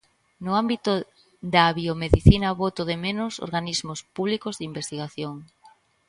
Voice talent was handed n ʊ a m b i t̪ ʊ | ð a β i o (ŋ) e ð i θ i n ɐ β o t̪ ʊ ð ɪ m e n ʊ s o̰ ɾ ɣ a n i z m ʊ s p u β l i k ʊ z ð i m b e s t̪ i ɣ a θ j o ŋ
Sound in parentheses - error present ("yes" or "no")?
yes